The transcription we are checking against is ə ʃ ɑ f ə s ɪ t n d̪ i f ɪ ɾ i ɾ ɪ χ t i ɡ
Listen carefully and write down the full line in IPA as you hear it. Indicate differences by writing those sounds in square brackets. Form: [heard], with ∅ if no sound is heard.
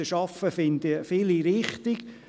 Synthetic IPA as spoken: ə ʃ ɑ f ə [f] ɪ [∅] n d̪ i f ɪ [l] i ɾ ɪ χ t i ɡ